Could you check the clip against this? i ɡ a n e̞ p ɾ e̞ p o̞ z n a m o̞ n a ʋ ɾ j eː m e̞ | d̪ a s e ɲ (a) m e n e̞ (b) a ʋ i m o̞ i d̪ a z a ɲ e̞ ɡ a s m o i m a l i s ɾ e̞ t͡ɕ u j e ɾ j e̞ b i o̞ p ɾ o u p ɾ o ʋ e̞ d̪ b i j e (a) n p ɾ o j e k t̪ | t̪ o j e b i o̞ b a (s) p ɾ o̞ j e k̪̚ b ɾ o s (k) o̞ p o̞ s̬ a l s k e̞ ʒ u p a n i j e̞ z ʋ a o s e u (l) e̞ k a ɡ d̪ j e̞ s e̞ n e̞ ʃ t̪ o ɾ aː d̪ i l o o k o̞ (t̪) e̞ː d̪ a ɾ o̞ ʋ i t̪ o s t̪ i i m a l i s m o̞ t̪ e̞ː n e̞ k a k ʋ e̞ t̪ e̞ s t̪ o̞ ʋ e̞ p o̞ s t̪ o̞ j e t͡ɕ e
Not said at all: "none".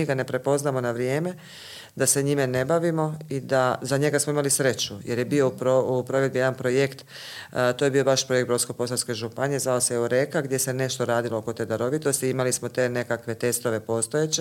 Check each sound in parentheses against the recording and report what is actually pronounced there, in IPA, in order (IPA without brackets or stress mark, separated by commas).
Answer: i, b, a, ʃ, k, ɾ, t̪